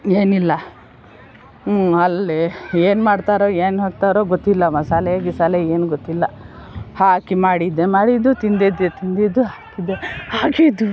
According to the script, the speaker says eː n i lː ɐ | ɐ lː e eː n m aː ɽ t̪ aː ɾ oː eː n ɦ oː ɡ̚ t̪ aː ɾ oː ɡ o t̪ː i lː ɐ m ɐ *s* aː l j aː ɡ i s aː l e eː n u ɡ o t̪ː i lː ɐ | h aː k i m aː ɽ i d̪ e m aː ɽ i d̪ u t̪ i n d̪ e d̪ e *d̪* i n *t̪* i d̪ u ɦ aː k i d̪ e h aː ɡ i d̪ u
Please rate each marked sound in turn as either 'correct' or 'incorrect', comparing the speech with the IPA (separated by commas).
correct, incorrect, incorrect